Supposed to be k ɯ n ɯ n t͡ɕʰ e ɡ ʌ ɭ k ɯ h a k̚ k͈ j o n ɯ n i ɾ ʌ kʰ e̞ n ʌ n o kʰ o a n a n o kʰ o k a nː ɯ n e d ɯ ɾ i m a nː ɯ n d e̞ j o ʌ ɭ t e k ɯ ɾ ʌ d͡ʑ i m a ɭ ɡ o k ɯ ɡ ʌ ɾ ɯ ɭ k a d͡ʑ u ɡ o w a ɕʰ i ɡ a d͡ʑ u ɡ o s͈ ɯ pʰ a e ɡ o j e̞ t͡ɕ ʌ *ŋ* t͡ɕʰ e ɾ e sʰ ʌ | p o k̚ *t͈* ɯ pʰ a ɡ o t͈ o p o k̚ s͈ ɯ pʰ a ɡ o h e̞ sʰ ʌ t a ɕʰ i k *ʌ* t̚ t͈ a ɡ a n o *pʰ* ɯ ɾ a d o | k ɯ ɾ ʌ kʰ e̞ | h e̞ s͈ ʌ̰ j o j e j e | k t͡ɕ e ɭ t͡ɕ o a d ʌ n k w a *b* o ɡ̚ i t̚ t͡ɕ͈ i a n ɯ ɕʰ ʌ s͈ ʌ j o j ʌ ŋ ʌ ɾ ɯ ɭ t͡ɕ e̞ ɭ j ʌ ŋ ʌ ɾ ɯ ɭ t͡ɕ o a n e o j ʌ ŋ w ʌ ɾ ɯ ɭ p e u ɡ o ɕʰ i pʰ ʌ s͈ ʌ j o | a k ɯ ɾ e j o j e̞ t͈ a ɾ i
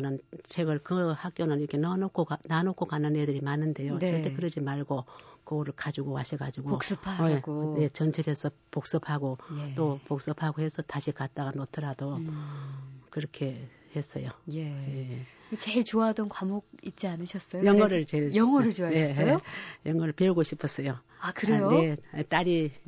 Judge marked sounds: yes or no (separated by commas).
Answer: no, no, no, no, no